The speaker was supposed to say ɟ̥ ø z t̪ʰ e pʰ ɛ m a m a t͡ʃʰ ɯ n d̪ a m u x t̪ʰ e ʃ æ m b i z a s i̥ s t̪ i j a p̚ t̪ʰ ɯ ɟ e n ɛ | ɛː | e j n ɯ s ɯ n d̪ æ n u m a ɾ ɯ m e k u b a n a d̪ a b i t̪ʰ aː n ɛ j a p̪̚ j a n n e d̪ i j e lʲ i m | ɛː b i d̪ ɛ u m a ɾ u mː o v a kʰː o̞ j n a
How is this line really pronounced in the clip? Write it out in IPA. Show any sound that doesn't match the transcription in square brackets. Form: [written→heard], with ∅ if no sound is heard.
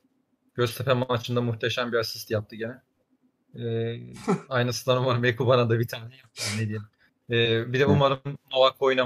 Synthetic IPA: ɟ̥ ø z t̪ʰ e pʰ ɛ m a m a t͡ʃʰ ɯ n d̪ a m u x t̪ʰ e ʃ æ m b i [z→∅] a s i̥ s t̪ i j a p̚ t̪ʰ ɯ ɟ e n ɛ | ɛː | [e→a] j n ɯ s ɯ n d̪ [æ→a] n u m a ɾ ɯ m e k u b a n a d̪ a b i t̪ʰ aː n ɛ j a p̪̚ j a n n e d̪ i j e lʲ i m | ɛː b i d̪ ɛ u m a ɾ [u→ɯ] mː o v a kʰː o̞ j n a